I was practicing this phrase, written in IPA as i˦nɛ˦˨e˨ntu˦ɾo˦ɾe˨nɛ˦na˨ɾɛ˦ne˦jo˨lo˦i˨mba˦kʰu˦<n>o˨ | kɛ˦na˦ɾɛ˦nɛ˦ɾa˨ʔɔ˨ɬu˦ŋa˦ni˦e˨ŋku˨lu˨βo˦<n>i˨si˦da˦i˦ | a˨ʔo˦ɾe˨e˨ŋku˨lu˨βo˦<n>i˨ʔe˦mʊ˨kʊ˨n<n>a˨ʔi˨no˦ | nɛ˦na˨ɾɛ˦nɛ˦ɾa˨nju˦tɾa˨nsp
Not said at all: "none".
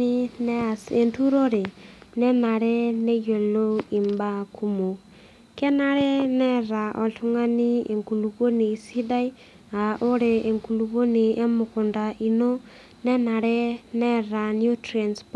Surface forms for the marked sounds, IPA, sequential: m, n, n, d

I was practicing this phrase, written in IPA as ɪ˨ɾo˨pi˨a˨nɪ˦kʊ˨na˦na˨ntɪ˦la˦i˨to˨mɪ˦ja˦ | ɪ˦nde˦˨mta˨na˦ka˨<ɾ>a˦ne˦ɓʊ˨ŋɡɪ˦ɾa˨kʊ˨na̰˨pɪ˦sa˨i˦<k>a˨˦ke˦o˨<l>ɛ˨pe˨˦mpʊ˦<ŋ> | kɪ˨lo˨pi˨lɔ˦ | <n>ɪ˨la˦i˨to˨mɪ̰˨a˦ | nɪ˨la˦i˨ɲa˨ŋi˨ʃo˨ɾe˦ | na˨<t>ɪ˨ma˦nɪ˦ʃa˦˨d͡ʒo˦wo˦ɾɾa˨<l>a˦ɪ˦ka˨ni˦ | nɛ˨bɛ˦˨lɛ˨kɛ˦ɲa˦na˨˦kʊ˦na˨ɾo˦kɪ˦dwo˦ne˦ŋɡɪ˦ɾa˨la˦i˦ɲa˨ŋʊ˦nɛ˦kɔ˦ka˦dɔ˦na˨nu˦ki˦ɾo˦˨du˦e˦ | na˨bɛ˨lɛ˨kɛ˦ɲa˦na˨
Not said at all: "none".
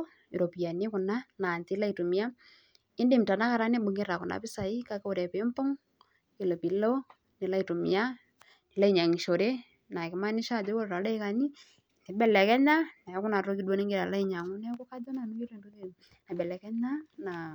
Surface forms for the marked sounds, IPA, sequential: ɾ, k, ɾ, ŋ, n, k, l

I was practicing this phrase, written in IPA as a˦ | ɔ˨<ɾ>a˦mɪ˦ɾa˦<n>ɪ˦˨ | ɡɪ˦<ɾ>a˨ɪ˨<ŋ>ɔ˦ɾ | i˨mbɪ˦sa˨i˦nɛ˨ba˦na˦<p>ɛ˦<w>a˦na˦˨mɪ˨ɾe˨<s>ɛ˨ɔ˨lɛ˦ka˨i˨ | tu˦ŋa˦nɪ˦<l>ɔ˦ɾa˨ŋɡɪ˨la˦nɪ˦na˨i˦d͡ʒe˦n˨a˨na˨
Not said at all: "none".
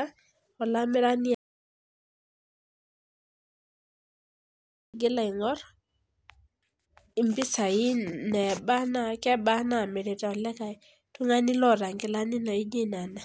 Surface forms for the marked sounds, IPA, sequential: l, n, l, ŋ, k, b, t, l

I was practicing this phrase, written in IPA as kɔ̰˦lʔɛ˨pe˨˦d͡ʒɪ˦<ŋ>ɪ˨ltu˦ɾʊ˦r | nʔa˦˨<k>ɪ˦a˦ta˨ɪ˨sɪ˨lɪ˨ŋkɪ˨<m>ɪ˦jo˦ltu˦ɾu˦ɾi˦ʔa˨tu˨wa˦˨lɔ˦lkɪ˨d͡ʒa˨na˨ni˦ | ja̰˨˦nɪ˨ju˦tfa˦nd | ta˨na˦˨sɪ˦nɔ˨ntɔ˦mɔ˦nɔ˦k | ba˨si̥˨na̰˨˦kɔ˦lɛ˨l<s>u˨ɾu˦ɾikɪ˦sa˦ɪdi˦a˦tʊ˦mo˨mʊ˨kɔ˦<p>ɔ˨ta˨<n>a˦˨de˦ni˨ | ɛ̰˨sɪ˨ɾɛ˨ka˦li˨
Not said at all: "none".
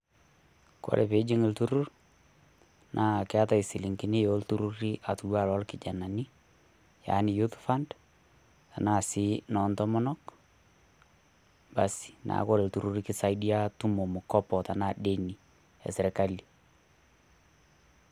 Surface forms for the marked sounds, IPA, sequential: ŋ, k, n, t, p, n

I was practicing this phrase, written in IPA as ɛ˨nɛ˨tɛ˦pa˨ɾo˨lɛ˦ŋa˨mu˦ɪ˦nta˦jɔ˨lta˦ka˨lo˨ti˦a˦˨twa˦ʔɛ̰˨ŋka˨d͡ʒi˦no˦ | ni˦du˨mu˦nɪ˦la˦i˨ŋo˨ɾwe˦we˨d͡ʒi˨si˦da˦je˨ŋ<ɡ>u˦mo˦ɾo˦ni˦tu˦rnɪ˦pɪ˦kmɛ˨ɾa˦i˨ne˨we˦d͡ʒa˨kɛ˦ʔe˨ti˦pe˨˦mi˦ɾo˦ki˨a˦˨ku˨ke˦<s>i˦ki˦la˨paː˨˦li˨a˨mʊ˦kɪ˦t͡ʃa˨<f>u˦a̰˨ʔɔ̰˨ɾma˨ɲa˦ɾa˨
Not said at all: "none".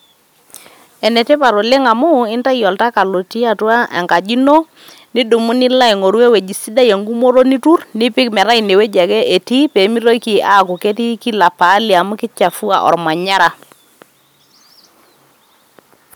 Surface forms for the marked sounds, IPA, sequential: ɡ, t, f

